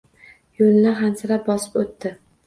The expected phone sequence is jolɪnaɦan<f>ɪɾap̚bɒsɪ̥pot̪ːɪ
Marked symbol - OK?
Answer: no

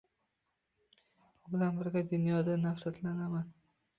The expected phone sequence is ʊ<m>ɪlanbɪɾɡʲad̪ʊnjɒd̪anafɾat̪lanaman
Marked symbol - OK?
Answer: no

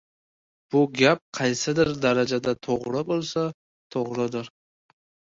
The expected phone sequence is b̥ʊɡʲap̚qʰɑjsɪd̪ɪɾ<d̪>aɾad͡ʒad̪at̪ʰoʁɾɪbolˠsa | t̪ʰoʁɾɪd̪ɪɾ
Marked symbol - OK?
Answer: yes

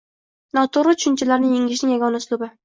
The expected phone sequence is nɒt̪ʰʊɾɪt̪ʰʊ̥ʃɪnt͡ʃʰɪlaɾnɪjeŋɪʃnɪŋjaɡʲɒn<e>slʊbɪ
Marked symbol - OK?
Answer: no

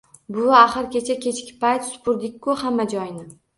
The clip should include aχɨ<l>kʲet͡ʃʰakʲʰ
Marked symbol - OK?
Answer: no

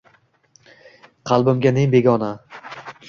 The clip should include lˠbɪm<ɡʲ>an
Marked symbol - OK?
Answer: yes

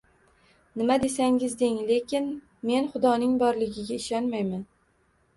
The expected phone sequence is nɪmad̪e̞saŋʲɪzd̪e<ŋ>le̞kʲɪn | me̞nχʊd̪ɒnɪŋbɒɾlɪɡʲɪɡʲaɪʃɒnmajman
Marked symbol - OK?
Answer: yes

